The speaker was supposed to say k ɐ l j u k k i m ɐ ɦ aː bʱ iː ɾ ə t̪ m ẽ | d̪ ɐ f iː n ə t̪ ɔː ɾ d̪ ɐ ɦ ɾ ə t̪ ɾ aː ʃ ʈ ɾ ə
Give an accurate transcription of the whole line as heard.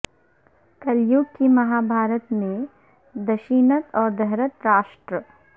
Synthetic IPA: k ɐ l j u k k i m ɐ ɦ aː bʱ aː ɾ ə t̪ m ẽ | d̪ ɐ ʃ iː n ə t̪ ɔː ɾ d̪ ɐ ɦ ɾ ə t̪ ɾ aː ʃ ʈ ɾ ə